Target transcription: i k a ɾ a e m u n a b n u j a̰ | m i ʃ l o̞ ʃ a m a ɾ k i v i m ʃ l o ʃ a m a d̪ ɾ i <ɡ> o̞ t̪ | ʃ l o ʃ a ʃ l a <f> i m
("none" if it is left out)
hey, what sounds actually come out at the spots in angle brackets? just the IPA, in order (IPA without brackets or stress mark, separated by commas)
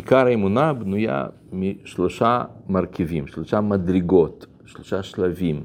ɡ, v